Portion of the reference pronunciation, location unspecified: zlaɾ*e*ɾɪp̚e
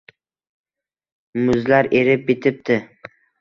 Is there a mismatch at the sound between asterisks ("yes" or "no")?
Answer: no